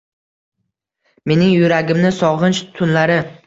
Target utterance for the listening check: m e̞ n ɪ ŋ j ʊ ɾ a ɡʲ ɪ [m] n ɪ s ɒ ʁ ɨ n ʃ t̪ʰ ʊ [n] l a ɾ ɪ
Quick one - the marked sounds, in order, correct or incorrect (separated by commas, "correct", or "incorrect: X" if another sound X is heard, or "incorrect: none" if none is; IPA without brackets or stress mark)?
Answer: correct, correct